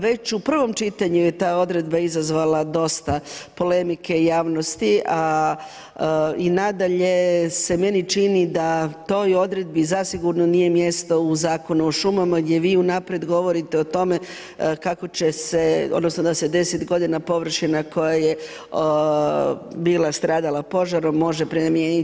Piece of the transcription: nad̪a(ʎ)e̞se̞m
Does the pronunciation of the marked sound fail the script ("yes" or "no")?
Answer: no